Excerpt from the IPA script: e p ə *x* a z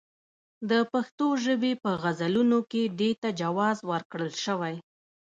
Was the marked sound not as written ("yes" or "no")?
yes